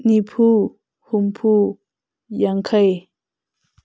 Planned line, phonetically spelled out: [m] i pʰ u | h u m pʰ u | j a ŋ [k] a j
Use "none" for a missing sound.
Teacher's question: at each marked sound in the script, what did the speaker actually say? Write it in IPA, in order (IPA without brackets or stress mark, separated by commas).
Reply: n, kʰ